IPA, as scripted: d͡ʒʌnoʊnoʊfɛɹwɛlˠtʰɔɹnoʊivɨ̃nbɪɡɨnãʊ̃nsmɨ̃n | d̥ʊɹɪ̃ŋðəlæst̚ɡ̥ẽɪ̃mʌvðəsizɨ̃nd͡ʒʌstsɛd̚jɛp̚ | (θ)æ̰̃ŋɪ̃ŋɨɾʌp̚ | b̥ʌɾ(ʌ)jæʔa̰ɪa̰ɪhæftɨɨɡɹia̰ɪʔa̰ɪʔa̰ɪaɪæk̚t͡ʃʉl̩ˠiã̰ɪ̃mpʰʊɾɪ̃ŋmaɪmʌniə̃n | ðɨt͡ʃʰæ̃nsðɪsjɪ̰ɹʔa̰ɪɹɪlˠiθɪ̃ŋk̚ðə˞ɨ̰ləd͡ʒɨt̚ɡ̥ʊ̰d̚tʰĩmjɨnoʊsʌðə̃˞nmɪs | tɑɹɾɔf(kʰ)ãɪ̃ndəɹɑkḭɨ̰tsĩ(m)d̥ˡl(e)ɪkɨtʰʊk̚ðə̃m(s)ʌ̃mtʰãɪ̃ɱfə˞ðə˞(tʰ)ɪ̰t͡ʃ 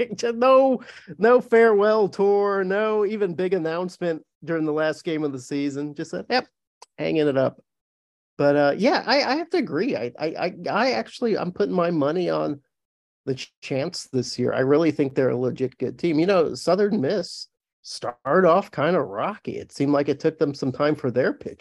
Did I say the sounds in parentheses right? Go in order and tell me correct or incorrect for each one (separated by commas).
incorrect, correct, correct, correct, incorrect, correct, incorrect